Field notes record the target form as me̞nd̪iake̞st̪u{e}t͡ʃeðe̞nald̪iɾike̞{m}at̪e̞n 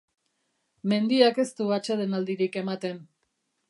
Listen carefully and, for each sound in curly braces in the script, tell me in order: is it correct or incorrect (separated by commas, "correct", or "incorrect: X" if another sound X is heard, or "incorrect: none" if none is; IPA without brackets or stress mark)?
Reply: incorrect: a, correct